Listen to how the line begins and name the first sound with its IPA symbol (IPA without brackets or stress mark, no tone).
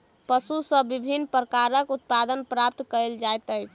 p